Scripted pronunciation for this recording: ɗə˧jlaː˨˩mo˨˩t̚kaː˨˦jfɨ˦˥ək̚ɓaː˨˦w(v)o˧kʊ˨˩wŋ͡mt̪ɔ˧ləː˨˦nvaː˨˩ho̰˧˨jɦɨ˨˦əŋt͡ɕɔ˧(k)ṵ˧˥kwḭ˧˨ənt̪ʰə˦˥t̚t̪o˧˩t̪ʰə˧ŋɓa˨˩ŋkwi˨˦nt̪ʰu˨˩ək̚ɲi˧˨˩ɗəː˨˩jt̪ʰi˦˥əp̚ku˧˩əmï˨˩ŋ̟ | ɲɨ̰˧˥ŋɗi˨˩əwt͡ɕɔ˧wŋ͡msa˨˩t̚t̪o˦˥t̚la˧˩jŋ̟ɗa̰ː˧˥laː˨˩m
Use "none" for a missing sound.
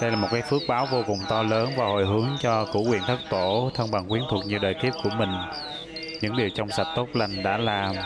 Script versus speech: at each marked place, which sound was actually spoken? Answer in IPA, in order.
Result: v, k

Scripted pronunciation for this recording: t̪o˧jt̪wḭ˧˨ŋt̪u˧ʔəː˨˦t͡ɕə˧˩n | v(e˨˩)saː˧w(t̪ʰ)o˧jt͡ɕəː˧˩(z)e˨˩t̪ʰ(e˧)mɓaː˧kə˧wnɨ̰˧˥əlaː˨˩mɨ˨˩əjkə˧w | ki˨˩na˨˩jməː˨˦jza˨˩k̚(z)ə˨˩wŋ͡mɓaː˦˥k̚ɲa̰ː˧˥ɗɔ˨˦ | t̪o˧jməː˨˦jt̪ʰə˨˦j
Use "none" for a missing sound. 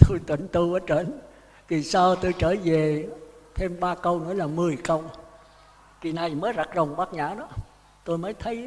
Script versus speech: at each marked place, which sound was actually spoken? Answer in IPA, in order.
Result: i˨˩, t̪, v, e˧, z

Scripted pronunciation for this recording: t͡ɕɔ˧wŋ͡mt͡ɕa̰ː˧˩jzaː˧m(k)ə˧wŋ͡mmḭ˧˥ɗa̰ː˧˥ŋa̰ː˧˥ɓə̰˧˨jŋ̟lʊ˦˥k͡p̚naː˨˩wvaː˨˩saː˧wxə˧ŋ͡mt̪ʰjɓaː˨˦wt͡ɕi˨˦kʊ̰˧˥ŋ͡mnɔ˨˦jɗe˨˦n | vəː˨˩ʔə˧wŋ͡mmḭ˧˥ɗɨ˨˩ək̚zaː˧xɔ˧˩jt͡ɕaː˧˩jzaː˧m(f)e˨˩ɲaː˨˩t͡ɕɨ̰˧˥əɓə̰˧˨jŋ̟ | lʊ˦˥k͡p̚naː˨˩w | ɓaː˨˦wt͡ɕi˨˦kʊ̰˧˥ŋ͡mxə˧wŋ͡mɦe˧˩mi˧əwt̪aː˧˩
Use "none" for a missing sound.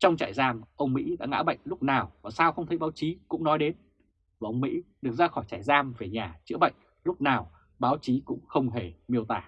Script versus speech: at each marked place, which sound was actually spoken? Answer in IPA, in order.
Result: ʔ, v

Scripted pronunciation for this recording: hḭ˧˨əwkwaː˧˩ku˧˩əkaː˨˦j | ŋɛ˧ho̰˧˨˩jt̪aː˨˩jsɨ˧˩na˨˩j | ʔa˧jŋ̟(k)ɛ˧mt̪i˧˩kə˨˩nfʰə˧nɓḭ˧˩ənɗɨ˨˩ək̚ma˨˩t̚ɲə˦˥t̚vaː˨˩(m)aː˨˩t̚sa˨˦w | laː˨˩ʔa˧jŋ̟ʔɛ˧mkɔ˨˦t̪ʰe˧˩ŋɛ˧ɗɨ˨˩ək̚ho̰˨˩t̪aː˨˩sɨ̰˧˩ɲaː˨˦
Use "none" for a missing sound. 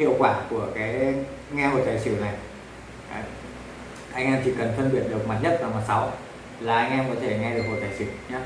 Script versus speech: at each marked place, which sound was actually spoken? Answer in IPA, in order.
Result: ʔ, m

